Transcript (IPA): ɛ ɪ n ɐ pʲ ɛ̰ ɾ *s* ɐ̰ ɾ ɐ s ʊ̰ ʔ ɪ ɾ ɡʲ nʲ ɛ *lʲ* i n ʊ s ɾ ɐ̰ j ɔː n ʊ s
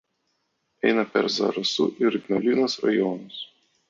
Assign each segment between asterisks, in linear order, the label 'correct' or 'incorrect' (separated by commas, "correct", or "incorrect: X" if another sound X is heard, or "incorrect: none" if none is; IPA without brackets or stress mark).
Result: incorrect: z, correct